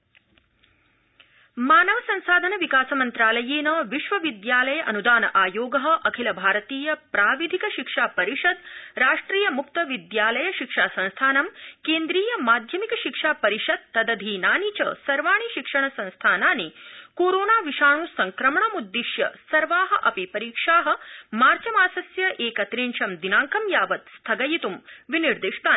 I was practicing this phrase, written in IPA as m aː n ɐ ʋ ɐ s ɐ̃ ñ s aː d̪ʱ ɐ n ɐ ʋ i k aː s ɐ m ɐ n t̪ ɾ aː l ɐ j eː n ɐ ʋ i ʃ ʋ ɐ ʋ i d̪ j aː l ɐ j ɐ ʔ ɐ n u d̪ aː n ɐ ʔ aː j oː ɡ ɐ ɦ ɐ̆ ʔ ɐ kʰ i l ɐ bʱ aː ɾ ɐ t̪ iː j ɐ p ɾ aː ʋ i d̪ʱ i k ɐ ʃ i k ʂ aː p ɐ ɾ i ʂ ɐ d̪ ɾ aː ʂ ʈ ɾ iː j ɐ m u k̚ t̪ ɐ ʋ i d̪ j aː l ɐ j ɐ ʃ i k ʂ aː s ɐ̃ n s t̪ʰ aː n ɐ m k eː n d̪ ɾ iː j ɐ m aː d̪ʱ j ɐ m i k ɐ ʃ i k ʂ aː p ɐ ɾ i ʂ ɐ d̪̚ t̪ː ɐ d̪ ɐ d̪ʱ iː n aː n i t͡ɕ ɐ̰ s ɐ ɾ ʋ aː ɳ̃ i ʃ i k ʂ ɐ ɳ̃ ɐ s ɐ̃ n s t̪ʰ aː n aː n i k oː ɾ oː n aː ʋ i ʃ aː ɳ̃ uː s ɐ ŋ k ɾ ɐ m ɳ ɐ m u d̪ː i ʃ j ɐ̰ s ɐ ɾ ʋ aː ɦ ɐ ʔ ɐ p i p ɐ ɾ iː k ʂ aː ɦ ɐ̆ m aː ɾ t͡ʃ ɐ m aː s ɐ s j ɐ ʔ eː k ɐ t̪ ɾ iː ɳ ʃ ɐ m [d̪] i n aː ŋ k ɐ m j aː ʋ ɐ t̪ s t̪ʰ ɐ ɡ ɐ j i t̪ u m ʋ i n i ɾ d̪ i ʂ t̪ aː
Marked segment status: correct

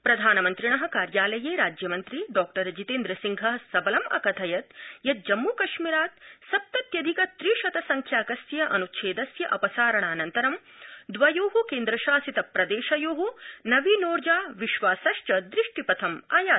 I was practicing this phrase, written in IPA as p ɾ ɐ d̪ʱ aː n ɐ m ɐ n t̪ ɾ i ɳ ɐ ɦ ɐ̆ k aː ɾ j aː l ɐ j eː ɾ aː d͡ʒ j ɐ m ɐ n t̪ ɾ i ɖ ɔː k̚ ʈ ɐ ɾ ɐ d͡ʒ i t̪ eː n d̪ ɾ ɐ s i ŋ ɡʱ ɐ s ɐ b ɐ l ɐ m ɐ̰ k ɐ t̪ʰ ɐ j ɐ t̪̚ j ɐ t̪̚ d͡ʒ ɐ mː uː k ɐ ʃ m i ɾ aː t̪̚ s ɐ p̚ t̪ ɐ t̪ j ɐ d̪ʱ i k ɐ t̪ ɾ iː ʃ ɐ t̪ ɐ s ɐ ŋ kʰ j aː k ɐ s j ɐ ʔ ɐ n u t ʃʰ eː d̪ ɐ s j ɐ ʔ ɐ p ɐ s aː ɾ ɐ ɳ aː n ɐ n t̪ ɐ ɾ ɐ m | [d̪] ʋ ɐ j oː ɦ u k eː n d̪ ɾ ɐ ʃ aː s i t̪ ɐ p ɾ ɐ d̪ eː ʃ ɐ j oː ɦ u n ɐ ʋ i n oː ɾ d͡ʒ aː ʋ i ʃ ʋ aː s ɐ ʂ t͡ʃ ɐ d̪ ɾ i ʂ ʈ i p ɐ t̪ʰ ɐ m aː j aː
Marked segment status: correct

